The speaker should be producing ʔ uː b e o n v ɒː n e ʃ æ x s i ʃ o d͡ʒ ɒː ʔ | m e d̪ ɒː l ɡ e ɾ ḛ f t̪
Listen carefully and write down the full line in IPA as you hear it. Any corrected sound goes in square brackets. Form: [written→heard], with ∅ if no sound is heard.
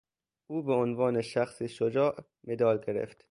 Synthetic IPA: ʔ uː b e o n v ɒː n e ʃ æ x s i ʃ o d͡ʒ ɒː ʔ | m e d̪ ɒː l ɡ e ɾ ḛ f t̪